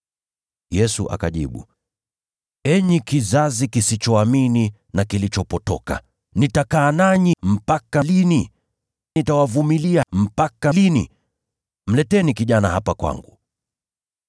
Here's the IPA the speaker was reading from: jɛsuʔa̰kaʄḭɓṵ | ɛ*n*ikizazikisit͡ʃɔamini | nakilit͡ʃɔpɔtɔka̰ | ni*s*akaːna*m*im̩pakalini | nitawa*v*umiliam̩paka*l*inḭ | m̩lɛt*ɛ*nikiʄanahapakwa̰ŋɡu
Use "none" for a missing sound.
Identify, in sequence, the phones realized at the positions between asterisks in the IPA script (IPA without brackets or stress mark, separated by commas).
ɲ, t, ɲ, v, l, ɛ